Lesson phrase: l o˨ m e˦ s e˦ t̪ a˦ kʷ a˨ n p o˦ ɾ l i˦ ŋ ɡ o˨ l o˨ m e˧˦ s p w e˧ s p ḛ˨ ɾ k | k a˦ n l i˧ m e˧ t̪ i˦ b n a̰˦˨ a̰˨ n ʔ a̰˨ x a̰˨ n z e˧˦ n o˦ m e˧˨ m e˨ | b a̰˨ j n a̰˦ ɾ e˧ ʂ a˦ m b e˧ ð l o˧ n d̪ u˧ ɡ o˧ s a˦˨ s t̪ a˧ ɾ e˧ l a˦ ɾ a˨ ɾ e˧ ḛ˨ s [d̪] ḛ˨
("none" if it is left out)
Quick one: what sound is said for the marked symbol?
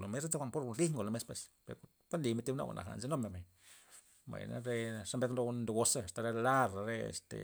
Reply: t̪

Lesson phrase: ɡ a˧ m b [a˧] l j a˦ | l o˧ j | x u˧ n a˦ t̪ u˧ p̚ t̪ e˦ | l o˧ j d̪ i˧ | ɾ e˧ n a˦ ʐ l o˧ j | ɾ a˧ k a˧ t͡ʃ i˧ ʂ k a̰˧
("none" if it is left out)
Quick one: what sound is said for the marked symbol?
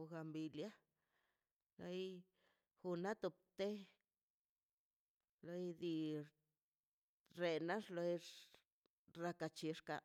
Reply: i˧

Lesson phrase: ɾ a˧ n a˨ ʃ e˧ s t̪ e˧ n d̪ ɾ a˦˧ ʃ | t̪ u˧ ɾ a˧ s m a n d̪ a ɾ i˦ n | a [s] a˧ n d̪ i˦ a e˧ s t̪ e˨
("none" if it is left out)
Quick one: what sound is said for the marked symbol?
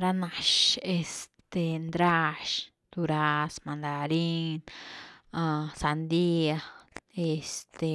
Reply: s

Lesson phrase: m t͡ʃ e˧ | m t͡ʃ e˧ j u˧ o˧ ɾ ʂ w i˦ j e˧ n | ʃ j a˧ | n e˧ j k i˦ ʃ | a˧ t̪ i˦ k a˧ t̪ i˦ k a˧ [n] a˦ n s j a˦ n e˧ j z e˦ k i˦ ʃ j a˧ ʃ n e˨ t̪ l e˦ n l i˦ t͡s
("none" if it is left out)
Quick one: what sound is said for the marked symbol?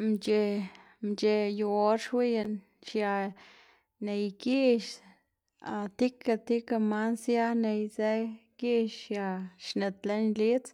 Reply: m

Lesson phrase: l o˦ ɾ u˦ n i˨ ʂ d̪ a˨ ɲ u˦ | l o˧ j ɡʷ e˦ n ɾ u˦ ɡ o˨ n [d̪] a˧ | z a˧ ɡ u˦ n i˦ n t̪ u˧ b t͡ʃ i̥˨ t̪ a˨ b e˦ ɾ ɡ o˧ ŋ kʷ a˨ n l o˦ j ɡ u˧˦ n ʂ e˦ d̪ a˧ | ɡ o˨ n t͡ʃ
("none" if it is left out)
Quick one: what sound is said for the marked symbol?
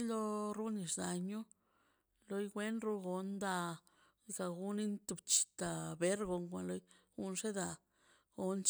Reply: d̪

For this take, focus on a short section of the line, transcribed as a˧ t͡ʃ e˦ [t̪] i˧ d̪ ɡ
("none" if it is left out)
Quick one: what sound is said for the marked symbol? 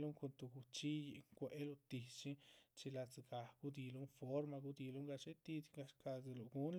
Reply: t̪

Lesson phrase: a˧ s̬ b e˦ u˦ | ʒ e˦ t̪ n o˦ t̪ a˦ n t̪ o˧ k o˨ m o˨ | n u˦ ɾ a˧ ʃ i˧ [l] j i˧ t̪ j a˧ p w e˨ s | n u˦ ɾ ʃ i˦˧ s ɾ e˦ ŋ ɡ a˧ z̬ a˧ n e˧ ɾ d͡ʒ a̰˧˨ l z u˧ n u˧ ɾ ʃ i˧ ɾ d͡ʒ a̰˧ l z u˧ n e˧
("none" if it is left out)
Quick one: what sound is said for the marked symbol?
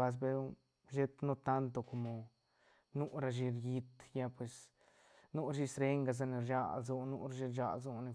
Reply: ɾ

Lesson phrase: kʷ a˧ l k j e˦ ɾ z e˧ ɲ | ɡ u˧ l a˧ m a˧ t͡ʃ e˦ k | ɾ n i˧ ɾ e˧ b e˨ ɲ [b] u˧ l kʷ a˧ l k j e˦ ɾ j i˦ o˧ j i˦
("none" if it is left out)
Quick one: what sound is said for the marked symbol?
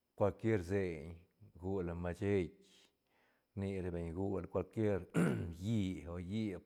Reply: ɡ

